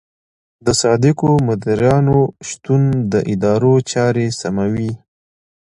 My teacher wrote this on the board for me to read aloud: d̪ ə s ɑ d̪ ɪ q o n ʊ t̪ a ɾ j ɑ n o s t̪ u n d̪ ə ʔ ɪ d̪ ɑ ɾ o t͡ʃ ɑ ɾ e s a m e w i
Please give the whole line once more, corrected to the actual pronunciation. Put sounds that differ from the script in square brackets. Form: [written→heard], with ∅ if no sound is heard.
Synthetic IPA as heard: d̪ ə s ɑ d̪ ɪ [q→k] o [n→m] ʊ [t̪→d̪] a ɾ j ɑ n o [s→ʃ] t̪ u n d̪ ə ʔ ɪ d̪ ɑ ɾ o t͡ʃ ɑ ɾ e s a m [e→a] w i